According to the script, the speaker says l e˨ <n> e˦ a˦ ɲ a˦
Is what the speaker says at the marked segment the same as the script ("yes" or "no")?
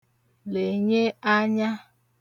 no